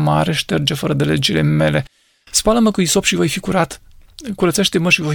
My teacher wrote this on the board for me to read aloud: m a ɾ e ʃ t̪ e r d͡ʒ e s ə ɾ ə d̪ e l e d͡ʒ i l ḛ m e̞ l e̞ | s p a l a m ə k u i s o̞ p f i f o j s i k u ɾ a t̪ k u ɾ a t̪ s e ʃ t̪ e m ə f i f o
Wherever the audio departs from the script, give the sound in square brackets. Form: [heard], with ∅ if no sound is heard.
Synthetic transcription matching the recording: m a ɾ e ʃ t̪ e r d͡ʒ e [f] ə ɾ ə d̪ e l e d͡ʒ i l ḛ m e̞ l e̞ | s p a l [ə] m ə k u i s o̞ p [ʃ] i [v] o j [f] i k u ɾ a t̪ k u ɾ [ə] t̪ s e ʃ t̪ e m ə [ʃ] i [v] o